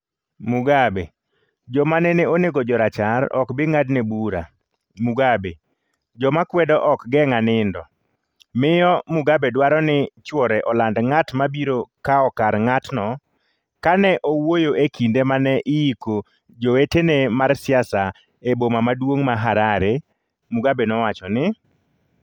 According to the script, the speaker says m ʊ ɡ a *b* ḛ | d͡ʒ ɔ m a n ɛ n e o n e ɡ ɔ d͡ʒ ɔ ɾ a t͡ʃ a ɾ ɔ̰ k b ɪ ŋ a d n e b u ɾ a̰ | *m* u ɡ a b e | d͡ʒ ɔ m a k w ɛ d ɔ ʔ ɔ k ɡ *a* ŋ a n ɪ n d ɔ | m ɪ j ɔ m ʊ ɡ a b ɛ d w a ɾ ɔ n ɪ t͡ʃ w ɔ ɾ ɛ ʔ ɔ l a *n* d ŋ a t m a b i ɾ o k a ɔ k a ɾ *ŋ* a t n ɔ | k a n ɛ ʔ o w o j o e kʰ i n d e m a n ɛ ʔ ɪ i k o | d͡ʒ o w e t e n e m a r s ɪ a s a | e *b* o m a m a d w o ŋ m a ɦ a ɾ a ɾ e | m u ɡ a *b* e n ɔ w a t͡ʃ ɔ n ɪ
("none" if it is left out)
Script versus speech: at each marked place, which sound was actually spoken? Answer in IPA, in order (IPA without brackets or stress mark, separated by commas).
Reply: b, m, ɛ, n, ŋ, b, b